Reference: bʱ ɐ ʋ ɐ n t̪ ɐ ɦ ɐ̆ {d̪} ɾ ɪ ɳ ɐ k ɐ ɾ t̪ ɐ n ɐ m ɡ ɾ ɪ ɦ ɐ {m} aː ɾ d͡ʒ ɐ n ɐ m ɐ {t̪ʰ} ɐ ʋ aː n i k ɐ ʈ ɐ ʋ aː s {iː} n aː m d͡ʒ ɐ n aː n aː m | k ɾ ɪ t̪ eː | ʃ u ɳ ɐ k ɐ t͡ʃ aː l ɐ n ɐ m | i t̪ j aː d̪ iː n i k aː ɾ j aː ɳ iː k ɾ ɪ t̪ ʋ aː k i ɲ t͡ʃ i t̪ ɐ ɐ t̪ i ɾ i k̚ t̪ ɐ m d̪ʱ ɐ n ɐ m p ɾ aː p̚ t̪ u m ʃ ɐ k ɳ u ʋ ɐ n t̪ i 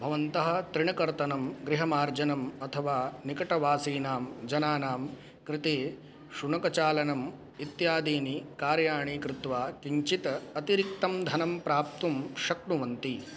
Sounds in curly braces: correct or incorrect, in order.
incorrect, correct, correct, correct

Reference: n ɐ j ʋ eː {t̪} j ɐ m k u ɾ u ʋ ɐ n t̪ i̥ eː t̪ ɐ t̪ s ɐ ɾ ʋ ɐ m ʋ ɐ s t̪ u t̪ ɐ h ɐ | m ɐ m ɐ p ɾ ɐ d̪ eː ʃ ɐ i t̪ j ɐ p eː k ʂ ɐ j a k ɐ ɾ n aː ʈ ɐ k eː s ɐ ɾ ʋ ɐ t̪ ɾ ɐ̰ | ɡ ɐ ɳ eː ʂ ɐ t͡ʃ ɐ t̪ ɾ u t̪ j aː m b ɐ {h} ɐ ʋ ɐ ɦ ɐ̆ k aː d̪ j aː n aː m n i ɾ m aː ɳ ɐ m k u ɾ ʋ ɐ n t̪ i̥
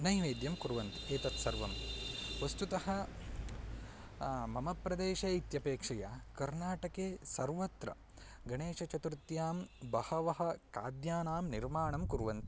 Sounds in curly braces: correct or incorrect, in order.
incorrect, correct

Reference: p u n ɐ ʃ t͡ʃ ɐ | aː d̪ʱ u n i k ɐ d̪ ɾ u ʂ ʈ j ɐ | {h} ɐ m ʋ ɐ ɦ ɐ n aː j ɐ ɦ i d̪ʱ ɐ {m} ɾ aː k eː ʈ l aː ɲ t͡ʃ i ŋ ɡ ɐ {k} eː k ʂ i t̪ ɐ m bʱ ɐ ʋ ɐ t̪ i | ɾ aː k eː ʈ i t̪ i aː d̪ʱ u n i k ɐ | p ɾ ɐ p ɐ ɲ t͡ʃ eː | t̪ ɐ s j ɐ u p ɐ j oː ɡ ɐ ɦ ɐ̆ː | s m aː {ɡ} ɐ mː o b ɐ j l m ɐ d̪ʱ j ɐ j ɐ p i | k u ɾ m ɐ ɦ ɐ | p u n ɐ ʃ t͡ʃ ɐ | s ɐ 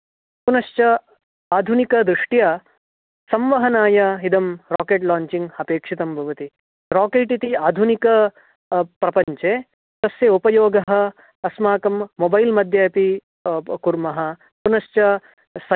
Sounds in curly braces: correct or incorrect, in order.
incorrect, correct, incorrect, incorrect

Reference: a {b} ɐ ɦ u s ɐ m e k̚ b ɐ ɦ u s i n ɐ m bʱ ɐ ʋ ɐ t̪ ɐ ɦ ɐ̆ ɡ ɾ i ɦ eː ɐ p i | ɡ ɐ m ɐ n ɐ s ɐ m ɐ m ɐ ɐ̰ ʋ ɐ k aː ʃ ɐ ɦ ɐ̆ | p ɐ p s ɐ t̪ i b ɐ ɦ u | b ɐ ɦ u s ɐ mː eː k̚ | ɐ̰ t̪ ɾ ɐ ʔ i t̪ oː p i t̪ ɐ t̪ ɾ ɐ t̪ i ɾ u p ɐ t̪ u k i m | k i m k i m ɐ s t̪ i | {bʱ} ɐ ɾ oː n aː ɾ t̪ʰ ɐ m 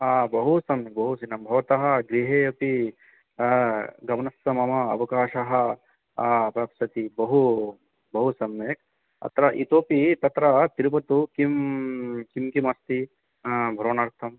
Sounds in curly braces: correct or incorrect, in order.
correct, correct

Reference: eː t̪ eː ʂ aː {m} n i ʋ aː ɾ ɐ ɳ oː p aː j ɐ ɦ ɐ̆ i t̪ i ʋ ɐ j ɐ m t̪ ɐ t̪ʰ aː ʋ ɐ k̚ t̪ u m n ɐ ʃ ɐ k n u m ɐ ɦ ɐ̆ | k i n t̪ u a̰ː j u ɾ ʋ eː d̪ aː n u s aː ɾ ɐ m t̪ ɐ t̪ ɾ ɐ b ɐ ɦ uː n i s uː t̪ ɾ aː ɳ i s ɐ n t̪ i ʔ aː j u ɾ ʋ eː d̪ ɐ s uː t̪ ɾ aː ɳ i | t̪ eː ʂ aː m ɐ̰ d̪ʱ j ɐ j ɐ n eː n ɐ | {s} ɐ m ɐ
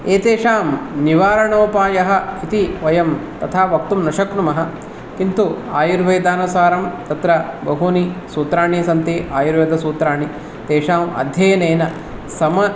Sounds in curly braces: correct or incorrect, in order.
correct, correct

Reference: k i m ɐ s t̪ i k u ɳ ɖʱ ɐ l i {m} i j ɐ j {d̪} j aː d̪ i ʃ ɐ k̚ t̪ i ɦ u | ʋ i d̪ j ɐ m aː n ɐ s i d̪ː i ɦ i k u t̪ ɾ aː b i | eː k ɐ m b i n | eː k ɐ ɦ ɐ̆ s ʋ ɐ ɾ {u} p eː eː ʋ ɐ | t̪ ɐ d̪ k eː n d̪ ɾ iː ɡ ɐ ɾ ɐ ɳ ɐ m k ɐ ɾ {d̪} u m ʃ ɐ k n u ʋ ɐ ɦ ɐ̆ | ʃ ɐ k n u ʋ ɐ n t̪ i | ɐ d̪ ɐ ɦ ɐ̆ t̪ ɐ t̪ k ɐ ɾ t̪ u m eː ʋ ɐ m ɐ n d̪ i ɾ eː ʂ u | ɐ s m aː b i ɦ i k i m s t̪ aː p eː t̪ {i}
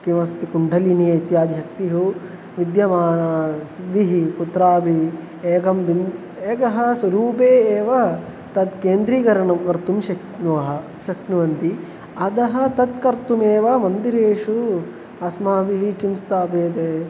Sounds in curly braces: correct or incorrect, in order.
incorrect, incorrect, incorrect, incorrect, incorrect

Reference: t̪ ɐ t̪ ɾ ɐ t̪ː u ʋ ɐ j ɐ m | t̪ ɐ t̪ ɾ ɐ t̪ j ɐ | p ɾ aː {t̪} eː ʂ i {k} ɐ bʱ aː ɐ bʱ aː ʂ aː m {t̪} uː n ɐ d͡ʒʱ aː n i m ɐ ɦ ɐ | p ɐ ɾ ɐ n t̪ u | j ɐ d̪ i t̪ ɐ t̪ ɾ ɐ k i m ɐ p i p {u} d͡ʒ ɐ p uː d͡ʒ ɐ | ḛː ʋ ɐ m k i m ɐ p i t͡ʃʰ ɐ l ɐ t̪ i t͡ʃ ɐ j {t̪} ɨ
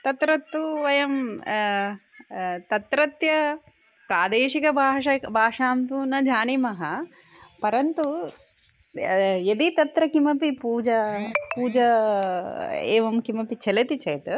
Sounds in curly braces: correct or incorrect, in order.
incorrect, correct, correct, incorrect, correct

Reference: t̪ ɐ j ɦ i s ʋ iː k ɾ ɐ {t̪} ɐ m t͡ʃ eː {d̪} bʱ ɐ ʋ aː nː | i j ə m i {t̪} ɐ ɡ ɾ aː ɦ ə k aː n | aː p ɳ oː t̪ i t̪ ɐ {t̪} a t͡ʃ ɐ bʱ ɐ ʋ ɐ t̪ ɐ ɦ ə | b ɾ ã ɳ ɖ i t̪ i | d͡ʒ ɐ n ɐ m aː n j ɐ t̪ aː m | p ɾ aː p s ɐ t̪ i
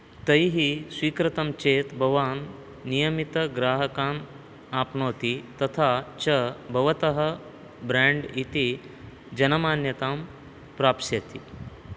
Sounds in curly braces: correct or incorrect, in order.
correct, incorrect, correct, incorrect

